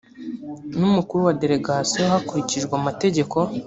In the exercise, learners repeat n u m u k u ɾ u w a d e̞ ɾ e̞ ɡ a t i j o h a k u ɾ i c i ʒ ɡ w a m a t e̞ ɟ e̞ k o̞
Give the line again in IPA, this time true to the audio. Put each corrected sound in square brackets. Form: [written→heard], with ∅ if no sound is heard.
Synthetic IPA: n u m u k u ɾ u w a d e̞ ɾ e̞ ɡ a [t→s] i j o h a k u ɾ i c i ʒ ɡ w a m a t e̞ ɟ e̞ k o̞